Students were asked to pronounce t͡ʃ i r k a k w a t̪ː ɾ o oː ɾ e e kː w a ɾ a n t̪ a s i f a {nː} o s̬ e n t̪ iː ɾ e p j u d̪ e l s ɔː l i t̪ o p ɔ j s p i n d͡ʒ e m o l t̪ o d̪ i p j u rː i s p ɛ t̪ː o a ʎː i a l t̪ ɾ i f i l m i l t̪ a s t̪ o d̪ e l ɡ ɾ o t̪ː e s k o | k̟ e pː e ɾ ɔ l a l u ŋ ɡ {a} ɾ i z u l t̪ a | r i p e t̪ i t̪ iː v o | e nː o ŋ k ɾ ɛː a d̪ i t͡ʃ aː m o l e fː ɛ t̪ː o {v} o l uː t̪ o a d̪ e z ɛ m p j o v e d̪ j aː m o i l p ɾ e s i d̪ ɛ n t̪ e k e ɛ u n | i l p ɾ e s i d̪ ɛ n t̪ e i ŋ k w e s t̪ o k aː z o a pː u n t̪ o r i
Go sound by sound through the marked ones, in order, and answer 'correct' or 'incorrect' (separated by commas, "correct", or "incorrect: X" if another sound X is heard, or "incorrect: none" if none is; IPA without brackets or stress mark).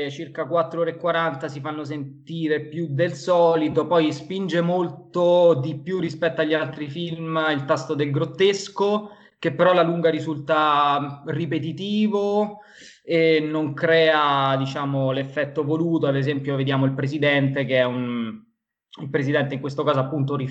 correct, correct, correct